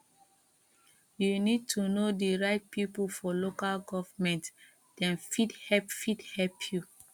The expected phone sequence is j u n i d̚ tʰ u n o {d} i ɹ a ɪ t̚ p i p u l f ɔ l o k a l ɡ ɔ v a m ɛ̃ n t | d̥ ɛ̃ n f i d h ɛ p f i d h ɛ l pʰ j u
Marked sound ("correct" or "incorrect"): correct